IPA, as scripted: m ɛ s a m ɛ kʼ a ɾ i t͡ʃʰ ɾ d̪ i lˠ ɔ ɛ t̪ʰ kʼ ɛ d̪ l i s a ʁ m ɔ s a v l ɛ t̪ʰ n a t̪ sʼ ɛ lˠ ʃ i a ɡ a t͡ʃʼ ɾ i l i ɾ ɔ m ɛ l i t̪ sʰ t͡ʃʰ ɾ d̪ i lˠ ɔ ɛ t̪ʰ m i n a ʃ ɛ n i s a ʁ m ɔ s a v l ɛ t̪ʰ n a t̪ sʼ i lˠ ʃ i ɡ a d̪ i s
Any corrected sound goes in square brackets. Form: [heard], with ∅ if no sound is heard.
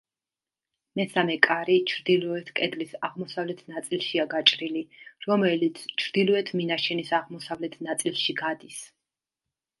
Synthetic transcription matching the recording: m ɛ s a m ɛ kʼ a ɾ i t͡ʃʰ ɾ d̪ i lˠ ɔ ɛ t̪ʰ kʼ ɛ d̪ l i s a ʁ m ɔ s a v l ɛ t̪ʰ n a t̪ sʼ [i] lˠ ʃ i a ɡ a t͡ʃʼ ɾ i l i ɾ ɔ m ɛ l i t̪ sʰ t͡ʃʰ ɾ d̪ i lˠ ɔ ɛ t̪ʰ m i n a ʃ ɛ n i s a ʁ m ɔ s a v l ɛ t̪ʰ n a t̪ sʼ i lˠ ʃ i ɡ a d̪ i s